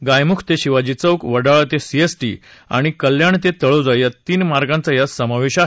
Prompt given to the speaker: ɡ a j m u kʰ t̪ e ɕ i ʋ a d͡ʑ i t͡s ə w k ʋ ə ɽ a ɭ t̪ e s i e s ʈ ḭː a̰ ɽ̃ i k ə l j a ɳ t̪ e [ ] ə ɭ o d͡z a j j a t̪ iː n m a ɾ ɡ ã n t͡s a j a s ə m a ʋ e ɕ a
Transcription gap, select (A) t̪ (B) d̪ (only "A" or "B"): A